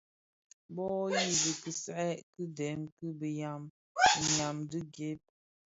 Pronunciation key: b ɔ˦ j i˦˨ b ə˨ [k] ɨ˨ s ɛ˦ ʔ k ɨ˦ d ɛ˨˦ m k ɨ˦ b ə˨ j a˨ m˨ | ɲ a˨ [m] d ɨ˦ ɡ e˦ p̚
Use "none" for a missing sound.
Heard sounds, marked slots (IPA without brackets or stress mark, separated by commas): k, m